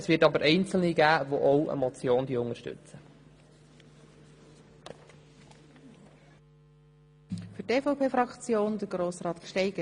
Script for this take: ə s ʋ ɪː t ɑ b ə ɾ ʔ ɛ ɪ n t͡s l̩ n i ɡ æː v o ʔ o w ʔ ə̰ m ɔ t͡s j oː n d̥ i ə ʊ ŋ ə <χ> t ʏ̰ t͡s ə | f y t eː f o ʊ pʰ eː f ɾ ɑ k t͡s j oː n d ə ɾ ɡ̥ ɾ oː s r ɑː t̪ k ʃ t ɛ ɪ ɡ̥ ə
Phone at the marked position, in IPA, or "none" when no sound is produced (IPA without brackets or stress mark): ʃ